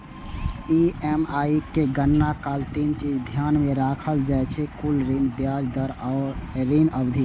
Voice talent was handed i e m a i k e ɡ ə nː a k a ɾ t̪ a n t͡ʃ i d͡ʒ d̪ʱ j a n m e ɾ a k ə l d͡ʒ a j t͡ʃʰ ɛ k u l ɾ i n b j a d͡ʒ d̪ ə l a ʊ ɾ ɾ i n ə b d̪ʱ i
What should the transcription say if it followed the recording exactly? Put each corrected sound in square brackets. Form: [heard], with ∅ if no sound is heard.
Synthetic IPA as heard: i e m a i k e ɡ ə nː a k a [l] t̪ [i] n t͡ʃ i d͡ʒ d̪ʱ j a n m e ɾ a [kʰ] ə l d͡ʒ a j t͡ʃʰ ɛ k u l ɾ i n b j a d͡ʒ d̪ ə [ɾ] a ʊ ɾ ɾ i n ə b d̪ʱ i